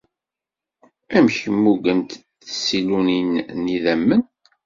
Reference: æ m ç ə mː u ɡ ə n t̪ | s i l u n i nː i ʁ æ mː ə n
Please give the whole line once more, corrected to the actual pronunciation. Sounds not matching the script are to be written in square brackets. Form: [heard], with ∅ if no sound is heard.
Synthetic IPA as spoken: æ m ç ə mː u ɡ ə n t̪ | s i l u n i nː i [ð] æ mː ə n